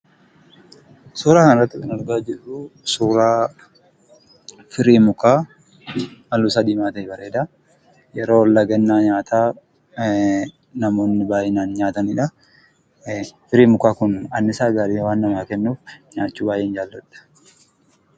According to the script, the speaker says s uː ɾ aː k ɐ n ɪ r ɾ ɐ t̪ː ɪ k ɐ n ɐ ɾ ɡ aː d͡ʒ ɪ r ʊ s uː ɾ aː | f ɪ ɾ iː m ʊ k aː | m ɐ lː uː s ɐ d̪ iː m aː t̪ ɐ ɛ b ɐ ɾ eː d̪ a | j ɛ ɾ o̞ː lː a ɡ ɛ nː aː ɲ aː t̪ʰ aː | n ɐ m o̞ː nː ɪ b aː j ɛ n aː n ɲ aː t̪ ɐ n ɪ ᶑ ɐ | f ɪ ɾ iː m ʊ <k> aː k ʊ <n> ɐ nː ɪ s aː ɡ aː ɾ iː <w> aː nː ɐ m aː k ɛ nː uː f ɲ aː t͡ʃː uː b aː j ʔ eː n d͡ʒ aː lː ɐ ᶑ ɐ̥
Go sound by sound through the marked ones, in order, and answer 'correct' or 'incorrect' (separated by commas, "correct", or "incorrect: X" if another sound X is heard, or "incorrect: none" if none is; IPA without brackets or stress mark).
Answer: correct, correct, correct